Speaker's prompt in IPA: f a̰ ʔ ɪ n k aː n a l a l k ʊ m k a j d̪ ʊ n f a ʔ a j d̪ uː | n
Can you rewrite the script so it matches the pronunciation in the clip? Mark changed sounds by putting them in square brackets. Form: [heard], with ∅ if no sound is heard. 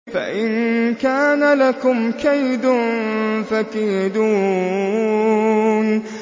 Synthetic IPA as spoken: f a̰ ʔ ɪ n k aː n a l a [∅] k ʊ m k a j d̪ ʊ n f a [k] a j d̪ uː | n